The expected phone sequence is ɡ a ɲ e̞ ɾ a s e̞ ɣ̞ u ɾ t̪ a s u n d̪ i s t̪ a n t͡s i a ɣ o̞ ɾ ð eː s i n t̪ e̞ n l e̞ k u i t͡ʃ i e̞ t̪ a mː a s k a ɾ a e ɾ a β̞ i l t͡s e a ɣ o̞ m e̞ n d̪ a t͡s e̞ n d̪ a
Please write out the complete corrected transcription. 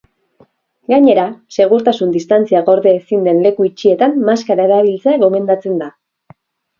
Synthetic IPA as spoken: ɡ a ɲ e̞ ɾ a s e̞ ɣ̞ u ɾ t̪ a s u n d̪ i s t̪ a n t͡s i a ɣ o̞ ɾ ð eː s i n d̪ e̞ n l e̞ k u i t͡ʃ i e̞ t̪ a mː a s k a ɾ a e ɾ a β̞ i l t͡s e a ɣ o̞ m e̞ n d̪ a t͡s e̞ n d̪ a